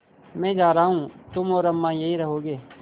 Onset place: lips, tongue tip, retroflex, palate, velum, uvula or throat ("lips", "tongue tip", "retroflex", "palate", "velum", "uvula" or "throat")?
lips